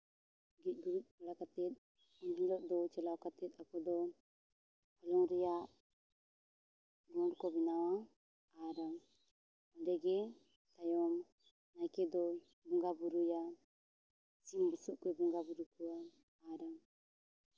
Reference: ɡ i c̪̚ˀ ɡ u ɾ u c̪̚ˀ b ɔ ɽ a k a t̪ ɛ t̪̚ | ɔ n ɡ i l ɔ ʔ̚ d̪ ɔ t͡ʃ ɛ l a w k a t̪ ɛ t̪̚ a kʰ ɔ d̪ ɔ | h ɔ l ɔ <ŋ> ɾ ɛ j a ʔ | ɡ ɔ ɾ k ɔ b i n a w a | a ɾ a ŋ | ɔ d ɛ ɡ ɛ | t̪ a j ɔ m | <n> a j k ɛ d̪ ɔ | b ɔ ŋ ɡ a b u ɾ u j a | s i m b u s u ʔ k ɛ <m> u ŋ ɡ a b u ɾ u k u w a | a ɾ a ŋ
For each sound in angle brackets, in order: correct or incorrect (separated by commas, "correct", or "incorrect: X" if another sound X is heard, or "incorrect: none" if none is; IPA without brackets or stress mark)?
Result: correct, correct, incorrect: b